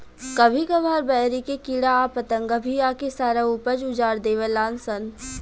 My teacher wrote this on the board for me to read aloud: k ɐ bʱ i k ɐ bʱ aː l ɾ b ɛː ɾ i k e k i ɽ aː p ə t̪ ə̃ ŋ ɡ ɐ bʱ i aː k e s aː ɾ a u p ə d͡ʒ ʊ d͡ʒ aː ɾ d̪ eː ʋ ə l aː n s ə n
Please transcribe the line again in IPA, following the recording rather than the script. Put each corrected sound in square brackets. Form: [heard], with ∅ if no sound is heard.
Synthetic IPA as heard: k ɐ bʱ i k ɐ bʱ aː [∅] ɾ b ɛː ɾ i k e k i ɽ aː p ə t̪ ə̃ ŋ ɡ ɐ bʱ i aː k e s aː ɾ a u p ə d͡ʒ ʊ d͡ʒ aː ɾ d̪ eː ʋ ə l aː n s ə n

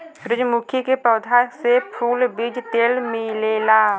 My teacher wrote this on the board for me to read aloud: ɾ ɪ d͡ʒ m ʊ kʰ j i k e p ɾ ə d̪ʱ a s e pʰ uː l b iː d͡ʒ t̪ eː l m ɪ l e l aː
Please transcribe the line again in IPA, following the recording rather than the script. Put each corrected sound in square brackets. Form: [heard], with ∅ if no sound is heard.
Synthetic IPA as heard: ɾ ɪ d͡ʒ m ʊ kʰ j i k e p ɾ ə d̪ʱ a s e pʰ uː l b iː d͡ʒ t̪ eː l m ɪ l e l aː

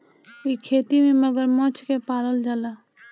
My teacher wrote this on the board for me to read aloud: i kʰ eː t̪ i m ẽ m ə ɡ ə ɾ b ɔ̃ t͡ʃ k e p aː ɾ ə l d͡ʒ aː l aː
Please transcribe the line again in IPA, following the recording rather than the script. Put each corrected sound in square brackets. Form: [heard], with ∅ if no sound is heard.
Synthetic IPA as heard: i kʰ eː t̪ i m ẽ m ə ɡ ə ɾ [m] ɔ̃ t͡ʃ k e p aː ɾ ə l d͡ʒ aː l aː

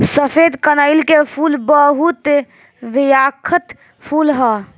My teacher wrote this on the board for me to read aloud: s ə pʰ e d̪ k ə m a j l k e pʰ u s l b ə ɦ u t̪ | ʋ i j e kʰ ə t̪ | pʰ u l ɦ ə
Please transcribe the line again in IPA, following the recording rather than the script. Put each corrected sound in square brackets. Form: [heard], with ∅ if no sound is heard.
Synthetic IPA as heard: s ə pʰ e d̪ k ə [n] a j l k e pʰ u [∅] l b ə ɦ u t̪ | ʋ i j [a] kʰ ə t̪ | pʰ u l ɦ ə

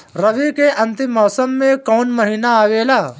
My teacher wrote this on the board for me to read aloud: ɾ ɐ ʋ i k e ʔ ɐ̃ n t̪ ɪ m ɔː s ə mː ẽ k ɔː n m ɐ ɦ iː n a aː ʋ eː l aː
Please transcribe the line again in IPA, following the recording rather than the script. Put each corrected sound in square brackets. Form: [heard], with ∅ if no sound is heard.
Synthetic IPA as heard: ɾ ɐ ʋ i k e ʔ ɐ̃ n t̪ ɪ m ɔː s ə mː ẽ k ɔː n m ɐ ɦ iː n a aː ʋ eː l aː

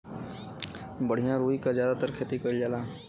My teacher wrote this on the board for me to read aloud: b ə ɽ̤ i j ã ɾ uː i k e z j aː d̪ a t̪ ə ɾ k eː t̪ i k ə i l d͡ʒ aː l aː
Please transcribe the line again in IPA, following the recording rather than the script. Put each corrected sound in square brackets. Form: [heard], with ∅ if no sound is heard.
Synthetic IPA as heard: b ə ɽ̤ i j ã ɾ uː i k [a] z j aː d̪ a t̪ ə ɾ [kʰ] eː t̪ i k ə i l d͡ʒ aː l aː

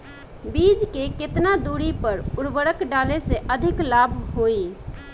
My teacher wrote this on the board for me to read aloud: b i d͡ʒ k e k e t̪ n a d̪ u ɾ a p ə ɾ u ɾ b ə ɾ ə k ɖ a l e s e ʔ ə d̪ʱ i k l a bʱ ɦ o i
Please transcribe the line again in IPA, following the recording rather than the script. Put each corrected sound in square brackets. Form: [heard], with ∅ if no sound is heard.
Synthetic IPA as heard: b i d͡ʒ k e k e t̪ n a d̪ u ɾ [i] p ə ɾ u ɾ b ə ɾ ə k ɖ a l e s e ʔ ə d̪ʱ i k l a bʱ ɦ o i

